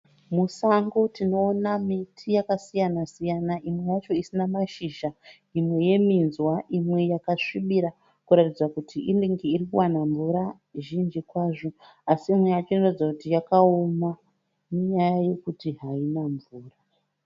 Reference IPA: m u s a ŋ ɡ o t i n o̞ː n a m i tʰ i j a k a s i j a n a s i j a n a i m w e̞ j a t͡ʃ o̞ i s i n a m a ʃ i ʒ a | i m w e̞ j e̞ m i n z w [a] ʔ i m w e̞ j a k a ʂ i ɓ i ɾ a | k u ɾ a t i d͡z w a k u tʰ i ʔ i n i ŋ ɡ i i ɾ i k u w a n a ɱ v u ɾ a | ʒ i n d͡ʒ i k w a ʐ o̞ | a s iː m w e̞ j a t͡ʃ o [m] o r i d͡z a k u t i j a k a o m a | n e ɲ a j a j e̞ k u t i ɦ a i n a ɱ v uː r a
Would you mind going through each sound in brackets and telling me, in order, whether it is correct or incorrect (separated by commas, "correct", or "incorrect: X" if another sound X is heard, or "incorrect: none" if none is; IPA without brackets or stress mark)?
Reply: correct, incorrect: n